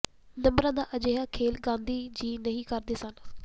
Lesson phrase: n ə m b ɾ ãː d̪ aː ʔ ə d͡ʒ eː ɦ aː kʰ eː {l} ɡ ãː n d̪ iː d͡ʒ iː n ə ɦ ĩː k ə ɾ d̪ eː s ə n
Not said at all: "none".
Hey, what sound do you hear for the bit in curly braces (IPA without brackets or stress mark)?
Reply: l